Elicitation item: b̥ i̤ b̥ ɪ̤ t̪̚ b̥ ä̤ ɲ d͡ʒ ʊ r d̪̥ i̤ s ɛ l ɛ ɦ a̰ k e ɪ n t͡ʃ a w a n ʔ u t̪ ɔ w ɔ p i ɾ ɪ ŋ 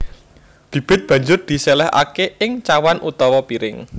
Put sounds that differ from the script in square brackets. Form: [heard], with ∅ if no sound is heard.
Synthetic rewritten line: b̥ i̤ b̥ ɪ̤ t̪̚ b̥ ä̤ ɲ d͡ʒ ʊ r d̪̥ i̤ s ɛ l ɛ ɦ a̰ k e ɪ [ŋ] t͡ʃ a w a n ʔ u t̪ ɔ w ɔ p i ɾ ɪ ŋ